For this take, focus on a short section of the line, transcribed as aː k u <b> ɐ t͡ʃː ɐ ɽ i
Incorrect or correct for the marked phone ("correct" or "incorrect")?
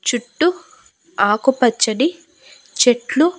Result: incorrect